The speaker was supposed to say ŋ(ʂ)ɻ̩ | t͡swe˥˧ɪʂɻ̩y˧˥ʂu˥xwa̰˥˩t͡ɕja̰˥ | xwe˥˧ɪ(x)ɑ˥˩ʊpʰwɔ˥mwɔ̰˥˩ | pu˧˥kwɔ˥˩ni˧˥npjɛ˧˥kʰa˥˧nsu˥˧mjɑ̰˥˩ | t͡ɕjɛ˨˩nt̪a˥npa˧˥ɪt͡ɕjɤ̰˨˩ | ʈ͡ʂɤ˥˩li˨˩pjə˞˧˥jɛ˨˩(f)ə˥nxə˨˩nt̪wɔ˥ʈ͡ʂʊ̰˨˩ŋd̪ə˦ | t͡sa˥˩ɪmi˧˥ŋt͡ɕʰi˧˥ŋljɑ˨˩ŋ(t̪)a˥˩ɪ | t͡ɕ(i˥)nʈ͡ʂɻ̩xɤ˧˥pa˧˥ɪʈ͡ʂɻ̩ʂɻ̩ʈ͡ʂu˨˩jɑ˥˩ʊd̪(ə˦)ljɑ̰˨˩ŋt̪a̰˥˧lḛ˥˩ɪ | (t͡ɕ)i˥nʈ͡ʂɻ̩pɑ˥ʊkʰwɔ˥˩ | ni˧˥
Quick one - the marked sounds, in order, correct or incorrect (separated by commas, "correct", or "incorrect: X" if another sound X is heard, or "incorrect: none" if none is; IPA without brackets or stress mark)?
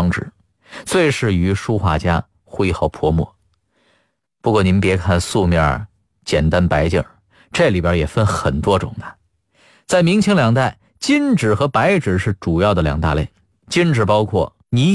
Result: incorrect: ʈ͡ʂ, correct, correct, correct, correct, incorrect: ə˩, correct